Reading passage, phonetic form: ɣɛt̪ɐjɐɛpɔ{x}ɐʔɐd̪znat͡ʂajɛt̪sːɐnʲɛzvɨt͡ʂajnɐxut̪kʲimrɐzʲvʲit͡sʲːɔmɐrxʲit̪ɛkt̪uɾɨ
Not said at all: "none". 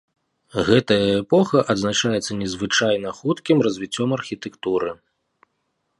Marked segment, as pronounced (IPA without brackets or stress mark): x